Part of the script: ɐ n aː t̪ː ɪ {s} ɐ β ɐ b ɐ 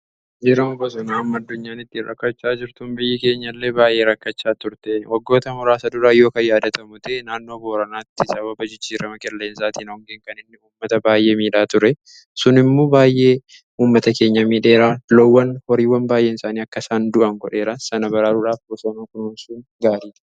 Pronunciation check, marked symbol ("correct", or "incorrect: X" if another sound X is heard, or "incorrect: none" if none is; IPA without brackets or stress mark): correct